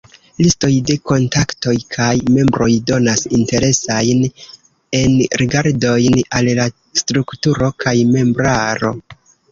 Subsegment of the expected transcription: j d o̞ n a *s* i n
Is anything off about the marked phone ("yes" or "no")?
no